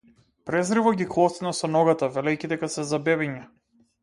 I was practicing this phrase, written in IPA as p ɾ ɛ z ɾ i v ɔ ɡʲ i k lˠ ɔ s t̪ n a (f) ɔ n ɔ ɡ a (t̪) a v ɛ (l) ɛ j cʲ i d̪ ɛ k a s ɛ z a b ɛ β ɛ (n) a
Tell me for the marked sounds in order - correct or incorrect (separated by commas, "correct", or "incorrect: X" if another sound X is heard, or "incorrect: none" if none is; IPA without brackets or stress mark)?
incorrect: s, correct, correct, incorrect: ɲ